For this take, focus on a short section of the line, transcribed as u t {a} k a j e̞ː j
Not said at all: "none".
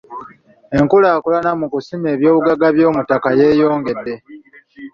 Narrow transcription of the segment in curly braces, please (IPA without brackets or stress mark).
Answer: a